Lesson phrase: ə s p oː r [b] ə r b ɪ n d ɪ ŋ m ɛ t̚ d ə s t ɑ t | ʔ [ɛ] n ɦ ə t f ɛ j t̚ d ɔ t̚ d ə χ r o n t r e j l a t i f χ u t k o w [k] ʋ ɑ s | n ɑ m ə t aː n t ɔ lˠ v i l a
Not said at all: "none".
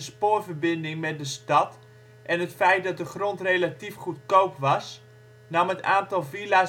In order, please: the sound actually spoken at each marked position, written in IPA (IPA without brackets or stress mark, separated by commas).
v, ɛ, p